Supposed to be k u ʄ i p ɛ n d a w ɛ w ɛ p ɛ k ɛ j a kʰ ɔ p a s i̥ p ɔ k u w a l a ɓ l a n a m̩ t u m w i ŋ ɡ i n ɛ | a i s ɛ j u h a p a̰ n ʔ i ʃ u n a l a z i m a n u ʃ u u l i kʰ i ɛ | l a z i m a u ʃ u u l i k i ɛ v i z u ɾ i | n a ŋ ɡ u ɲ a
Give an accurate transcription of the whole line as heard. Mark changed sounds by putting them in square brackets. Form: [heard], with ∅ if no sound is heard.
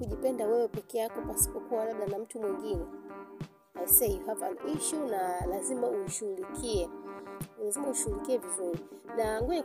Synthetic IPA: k u ʄ i p ɛ n d a w ɛ w ɛ p ɛ k ɛ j a [k] ɔ p a s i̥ p ɔ k u w a l a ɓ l a n a m̩ t u m w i ŋ ɡ i n ɛ | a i s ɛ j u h a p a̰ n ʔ i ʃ u n a l a z i m a [∅] u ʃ u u l i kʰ i ɛ | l a z i m a u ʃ u u l i k i ɛ v i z u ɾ i | n a ŋ ɡ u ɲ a